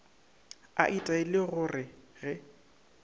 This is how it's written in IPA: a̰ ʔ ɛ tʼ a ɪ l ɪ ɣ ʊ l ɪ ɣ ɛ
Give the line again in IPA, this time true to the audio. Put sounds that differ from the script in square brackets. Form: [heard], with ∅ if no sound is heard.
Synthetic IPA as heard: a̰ ʔ [i] tʼ a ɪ l ɪ ɣ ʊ [r] ɪ ɣ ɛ